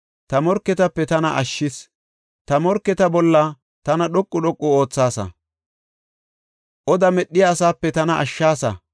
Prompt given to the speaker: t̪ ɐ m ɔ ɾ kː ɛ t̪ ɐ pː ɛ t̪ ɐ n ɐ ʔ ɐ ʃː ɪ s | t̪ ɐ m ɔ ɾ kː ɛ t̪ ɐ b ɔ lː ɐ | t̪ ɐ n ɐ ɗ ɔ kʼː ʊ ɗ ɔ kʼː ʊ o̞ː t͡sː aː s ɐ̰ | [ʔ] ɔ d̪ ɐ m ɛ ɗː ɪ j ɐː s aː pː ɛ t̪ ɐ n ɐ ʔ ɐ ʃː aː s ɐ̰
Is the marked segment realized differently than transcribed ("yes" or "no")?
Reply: no